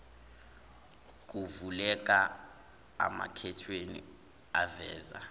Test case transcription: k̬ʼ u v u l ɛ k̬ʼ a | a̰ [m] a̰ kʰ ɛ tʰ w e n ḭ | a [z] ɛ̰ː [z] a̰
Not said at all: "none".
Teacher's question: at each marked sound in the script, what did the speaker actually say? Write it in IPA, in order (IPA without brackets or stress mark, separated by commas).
m, v, z